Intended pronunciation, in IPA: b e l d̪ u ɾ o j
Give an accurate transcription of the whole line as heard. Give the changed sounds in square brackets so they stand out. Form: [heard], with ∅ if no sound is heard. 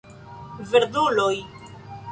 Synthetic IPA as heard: [v] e [ɾ] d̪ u [l] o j

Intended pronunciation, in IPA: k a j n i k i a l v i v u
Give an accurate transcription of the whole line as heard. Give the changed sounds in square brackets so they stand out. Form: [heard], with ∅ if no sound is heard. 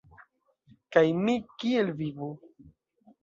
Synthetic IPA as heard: k a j [m] i k i [e] l v i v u

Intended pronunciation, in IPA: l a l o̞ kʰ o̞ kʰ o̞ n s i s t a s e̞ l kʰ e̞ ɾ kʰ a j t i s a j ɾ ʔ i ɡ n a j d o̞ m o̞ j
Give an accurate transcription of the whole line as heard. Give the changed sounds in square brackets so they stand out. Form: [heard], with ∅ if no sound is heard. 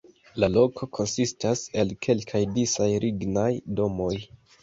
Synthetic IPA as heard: l a l o̞ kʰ o̞ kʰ o̞ n s i s t a s e̞ l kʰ e̞ [l] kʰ a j [d] i s a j ɾ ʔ i ɡ n a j d o̞ m o̞ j

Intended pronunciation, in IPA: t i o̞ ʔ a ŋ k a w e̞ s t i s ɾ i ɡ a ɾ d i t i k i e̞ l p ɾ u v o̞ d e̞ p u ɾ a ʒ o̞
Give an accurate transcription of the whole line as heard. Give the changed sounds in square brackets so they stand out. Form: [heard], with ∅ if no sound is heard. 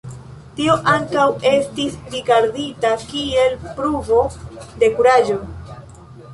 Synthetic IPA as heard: t i o̞ ʔ a ŋ k a w e̞ s t i s ɾ i ɡ a ɾ d i t [a] k i e̞ l p ɾ u v o̞ d e̞ [k] u ɾ a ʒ o̞

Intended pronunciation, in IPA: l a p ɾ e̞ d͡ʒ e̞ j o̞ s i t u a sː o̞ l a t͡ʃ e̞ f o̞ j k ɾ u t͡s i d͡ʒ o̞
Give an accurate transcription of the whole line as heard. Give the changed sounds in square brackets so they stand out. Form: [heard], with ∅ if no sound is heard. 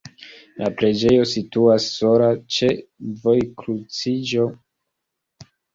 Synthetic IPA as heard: l a p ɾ e̞ d͡ʒ e̞ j o̞ s i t u a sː o̞ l a t͡ʃ e̞ [v] o̞ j k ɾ u t͡s i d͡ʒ o̞

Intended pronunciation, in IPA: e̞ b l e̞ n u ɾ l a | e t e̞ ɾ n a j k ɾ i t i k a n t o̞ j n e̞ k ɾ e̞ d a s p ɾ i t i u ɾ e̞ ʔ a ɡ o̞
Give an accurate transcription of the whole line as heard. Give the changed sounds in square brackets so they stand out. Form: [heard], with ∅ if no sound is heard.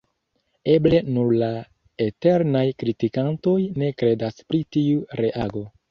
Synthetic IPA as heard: e̞ b l e̞ n u ɾ l a | e t e̞ ɾ n a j k ɾ i t i k a n t o̞ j n e̞ k ɾ e̞ d a s p ɾ i t i u ɾ e̞ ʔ a ɡ o̞

